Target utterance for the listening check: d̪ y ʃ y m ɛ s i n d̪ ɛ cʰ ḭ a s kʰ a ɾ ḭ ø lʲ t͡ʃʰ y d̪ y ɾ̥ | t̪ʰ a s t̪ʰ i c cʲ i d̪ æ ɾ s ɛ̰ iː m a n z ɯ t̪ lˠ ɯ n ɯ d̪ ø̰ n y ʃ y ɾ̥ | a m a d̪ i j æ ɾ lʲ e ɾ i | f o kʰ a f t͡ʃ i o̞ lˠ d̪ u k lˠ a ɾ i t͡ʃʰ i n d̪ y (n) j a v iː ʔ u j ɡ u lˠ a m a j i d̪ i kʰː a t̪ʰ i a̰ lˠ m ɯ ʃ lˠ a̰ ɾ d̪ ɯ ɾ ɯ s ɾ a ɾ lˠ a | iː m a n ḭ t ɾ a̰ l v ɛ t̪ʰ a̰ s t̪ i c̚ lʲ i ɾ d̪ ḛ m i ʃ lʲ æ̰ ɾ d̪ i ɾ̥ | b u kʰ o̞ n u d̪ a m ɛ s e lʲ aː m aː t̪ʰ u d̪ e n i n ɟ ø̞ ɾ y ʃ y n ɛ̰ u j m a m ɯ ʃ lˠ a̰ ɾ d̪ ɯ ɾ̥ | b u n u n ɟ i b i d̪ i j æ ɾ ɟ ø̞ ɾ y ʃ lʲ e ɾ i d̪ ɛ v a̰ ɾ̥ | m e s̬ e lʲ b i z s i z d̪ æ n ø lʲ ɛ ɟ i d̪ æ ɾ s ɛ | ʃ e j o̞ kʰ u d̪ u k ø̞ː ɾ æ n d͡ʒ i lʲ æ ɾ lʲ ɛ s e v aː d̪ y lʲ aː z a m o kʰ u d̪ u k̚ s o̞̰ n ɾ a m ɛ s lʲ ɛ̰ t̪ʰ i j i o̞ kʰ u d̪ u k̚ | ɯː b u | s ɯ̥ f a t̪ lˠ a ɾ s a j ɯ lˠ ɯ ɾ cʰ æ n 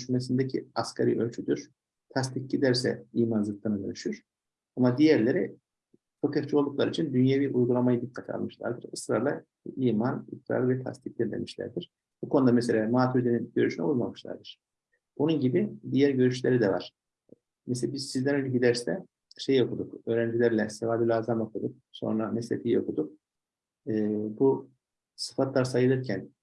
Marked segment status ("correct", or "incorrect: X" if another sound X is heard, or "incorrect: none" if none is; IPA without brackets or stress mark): correct